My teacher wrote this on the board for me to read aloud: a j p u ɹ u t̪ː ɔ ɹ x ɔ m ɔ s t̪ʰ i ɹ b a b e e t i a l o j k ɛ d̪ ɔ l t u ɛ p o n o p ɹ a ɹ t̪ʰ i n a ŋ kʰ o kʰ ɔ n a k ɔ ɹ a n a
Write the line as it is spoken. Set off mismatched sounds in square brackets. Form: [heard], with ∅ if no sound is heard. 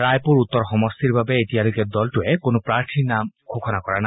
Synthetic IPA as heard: a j p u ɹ u t̪ː ɔ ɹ x ɔ m ɔ s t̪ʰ i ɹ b a b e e t i a l o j k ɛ d̪ ɔ l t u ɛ [k] o n o p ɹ a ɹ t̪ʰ i n a [m] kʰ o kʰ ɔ n a k ɔ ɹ a n a